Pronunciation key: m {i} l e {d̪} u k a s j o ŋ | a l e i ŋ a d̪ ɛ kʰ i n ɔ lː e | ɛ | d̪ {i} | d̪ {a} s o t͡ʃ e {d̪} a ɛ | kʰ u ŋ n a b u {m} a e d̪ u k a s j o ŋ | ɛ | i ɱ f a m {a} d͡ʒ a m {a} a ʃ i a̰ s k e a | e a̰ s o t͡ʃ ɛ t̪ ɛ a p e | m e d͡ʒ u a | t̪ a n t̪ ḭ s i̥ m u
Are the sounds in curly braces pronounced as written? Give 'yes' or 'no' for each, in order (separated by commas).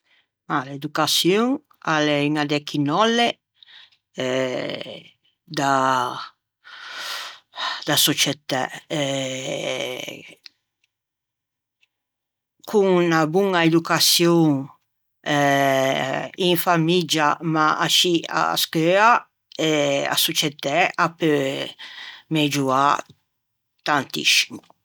no, yes, no, yes, no, no, no, yes